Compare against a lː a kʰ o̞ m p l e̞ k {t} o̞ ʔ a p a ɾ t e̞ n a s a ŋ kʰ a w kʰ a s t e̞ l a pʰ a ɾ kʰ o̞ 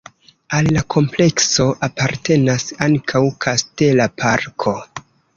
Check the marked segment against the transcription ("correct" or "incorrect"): incorrect